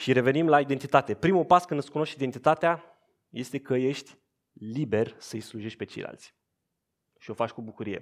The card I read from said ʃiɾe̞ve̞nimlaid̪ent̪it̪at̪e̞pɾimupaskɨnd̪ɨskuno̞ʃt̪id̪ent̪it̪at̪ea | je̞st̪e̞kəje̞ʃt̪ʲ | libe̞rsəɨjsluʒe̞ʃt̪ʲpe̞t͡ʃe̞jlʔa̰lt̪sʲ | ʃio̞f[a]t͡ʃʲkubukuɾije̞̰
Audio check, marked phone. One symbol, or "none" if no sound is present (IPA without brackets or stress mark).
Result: a